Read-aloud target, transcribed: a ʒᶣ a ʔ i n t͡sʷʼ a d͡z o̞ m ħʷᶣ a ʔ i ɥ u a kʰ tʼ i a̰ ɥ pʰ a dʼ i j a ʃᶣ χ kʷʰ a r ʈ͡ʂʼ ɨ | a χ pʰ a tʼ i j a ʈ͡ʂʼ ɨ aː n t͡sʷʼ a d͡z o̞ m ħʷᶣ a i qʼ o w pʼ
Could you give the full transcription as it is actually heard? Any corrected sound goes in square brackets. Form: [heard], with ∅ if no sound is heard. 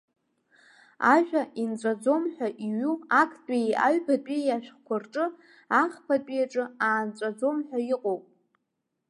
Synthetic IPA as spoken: a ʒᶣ a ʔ i n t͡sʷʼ a d͡z o̞ m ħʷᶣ a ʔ i ɥ u a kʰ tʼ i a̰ ɥ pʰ a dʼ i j a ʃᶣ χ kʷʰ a r ʈ͡ʂʼ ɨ | a χ pʰ a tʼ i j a ʈ͡ʂʼ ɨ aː n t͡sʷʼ a d͡z o̞ m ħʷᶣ a i qʼ o w pʼ